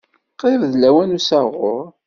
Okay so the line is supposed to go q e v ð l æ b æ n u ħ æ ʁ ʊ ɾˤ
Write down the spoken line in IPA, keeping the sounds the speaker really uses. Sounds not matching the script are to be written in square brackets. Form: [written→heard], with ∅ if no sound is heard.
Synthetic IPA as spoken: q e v ð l æ [b→w] æ n u [ħ→s] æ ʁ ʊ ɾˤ